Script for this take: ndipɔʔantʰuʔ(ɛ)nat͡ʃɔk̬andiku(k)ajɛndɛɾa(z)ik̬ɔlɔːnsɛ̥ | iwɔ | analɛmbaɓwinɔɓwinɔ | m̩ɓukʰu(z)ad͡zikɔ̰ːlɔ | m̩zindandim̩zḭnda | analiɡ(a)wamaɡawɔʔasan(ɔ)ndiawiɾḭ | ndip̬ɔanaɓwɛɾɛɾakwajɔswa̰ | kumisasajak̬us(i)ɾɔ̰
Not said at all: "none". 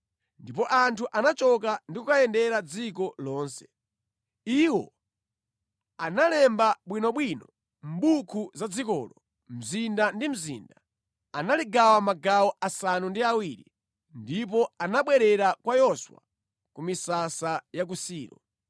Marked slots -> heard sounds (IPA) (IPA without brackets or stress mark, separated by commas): a, k, d͡z, z, a, u, iː